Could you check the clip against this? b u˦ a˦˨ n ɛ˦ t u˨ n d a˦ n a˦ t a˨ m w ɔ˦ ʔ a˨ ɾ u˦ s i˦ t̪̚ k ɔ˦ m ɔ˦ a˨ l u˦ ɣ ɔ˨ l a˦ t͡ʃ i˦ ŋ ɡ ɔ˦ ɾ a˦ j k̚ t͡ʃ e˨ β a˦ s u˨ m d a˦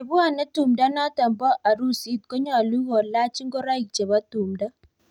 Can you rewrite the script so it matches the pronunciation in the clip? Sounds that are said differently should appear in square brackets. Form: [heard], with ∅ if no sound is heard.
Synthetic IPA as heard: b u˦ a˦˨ n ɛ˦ t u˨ [m] d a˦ n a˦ t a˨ m [b] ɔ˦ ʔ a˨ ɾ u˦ s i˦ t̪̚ k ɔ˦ [ɲ] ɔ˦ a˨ l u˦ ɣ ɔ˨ l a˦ t͡ʃ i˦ ŋ ɡ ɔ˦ ɾ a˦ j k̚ t͡ʃ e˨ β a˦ [t] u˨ m d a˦